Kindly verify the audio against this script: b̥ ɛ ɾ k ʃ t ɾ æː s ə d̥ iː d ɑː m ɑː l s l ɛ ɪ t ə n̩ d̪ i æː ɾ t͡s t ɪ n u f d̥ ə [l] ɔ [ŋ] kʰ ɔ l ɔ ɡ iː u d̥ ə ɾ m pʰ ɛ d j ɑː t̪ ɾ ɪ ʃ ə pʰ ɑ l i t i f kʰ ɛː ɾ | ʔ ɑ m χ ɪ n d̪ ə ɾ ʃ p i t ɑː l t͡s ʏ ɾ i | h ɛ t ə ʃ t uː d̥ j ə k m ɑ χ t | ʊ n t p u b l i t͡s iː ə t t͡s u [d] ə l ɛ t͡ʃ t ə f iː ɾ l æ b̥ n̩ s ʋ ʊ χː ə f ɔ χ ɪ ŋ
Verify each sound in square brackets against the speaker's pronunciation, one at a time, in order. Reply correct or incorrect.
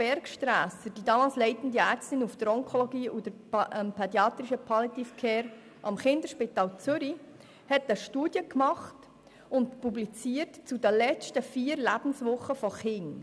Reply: incorrect, correct, correct

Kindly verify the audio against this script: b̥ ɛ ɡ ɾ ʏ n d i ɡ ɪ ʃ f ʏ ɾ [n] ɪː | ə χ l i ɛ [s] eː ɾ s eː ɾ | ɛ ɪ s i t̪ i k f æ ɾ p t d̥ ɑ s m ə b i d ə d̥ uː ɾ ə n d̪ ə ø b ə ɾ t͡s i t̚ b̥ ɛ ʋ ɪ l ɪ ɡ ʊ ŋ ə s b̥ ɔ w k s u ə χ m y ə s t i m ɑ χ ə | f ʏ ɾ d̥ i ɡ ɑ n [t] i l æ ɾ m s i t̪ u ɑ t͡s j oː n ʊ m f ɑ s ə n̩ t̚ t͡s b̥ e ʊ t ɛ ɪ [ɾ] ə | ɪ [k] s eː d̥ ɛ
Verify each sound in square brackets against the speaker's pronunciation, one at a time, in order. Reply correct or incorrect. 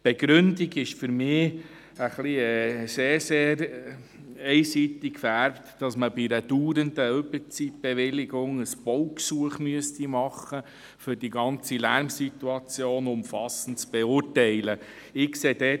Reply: incorrect, correct, incorrect, incorrect, correct

